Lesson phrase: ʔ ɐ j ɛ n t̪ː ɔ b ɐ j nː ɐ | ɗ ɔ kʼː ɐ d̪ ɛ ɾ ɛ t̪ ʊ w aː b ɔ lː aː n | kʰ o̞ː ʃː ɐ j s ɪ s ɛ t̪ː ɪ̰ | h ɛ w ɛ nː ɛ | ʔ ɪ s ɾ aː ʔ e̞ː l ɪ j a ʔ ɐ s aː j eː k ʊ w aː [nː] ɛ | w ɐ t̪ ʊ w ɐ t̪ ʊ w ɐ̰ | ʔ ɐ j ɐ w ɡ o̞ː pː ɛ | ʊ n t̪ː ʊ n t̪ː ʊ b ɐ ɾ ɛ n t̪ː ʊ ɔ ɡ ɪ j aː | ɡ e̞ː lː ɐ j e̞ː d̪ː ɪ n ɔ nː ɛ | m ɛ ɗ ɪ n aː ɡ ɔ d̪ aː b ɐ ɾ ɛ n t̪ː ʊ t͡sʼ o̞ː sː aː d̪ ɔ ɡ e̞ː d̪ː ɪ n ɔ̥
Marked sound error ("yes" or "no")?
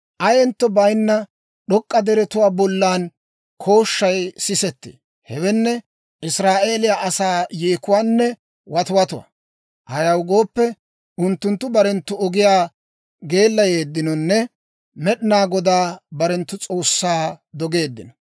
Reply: no